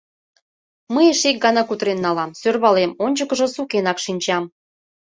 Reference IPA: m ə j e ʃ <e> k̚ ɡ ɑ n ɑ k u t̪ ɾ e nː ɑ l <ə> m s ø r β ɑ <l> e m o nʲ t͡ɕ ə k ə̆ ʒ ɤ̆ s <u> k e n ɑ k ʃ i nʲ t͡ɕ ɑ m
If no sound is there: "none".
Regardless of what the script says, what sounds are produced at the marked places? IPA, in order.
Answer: e, ɑ, l, u

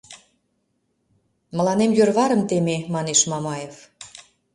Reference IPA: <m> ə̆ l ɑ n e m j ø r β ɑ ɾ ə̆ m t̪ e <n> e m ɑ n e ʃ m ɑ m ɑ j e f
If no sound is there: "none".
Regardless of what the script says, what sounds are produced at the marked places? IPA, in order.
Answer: m, m

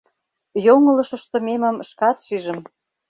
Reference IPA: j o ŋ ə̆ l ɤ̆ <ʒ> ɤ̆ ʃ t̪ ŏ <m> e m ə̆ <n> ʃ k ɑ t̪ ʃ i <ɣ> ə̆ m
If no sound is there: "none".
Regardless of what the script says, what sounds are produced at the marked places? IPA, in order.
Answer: ʃ, m, m, ʒ

